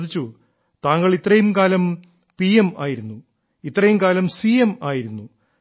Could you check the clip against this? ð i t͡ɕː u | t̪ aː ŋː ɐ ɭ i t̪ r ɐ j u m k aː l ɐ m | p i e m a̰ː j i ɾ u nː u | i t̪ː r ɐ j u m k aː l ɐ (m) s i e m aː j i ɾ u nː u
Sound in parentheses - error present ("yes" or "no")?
no